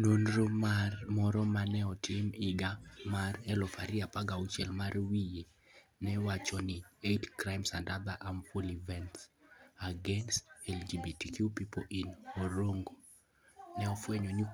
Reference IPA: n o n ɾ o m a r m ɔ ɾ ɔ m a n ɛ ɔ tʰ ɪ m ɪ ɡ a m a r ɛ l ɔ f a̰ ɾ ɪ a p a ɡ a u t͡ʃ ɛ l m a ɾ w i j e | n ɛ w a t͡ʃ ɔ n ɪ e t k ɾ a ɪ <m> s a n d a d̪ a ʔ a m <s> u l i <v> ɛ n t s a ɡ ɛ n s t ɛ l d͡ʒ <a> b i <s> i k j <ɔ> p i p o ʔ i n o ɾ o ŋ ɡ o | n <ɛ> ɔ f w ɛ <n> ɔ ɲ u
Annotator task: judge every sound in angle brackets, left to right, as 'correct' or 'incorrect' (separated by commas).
correct, incorrect, correct, incorrect, incorrect, incorrect, correct, incorrect